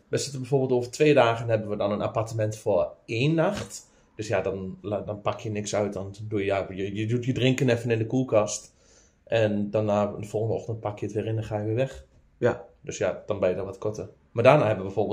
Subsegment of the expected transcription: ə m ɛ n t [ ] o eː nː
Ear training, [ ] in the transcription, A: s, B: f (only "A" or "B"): B